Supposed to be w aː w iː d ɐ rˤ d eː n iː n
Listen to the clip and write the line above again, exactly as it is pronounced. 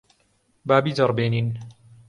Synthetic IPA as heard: b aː b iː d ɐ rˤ b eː n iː n